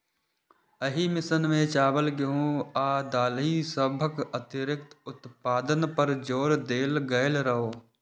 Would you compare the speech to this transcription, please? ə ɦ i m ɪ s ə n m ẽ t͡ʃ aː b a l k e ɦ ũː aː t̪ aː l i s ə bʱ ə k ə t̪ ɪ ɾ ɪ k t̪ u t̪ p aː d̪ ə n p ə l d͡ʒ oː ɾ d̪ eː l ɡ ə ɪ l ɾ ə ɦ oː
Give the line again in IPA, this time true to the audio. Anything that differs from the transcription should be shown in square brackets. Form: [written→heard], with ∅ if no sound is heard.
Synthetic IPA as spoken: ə ɦ i m ɪ s ə n m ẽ t͡ʃ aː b [a→ə] l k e ɦ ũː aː [t̪→d̪] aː l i s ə bʱ ə k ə t̪ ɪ ɾ ɪ k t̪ [u→ʊ] t̪ p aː d̪ ə n p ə [l→ɾ] d͡ʒ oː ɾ d̪ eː l ɡ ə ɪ l ɾ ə ɦ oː